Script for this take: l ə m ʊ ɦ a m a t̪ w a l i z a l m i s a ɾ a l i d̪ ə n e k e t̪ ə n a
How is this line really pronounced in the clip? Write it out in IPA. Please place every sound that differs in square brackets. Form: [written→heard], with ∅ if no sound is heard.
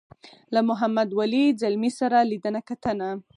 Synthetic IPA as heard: l [ə→a] m ʊ ɦ a m a [t̪→d̪] w a l i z a l m i s a ɾ a l i d̪ ə n [e→a] k [e→a] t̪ ə n a